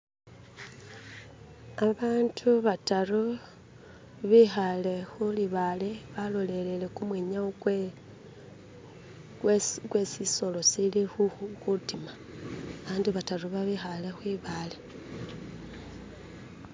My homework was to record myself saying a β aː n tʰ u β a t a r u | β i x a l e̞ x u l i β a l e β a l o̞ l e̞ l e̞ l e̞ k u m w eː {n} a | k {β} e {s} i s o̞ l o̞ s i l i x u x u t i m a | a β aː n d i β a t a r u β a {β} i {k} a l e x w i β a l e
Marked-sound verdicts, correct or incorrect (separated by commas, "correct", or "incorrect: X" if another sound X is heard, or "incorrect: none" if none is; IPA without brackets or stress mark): incorrect: ɲ, incorrect: w, correct, correct, incorrect: x